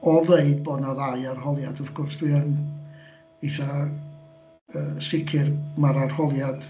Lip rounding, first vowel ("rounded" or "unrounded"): rounded